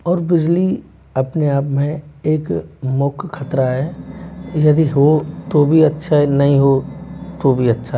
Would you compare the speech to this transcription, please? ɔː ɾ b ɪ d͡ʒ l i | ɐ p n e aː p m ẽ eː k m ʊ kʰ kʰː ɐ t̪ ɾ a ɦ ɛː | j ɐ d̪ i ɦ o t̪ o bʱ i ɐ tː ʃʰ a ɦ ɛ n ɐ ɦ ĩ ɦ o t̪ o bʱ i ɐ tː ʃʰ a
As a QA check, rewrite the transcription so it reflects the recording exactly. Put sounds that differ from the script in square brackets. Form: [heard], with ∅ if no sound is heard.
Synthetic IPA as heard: ɔː ɾ b ɪ d͡ʒ l i | ɐ p n e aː p m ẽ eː k m ʊ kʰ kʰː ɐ t̪ ɾ a ɦ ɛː | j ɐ d̪ i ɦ o t̪ o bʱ i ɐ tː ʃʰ a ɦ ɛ n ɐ ɦ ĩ ɦ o t̪ o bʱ i ɐ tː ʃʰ a